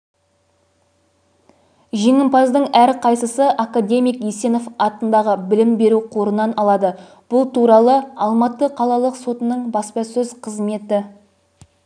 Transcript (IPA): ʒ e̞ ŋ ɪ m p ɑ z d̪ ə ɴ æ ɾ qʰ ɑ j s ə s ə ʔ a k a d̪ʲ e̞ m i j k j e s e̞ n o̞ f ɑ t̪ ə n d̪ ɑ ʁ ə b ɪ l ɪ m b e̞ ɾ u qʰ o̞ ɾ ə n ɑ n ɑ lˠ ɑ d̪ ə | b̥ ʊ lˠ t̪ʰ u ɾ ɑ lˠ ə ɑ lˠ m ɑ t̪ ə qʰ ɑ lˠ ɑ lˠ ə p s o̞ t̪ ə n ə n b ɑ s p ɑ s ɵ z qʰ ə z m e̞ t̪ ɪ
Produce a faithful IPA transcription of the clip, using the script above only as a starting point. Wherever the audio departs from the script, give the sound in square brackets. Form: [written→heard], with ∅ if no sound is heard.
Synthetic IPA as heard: ʒ e̞ ŋ ɪ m p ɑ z d̪ ə ɴ æ ɾ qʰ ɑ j s ə s ə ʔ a k a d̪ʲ e̞ m i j k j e s e̞ n o̞ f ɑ t̪ ə n d̪ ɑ ʁ ə b ɪ l ɪ m b e̞ ɾ u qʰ o̞ ɾ ə n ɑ n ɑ lˠ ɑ d̪ ə | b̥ ʊ lˠ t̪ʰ u ɾ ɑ lˠ ə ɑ lˠ m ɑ t̪ ə qʰ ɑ lˠ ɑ lˠ ə [p→q] s o̞ t̪ ə n ə [n→ɴ] b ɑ s p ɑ s ɵ z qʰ ə z m e̞ t̪ ɪ